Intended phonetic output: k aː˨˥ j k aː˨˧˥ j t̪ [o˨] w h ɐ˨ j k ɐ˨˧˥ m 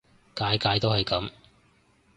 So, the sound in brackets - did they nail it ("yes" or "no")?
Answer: no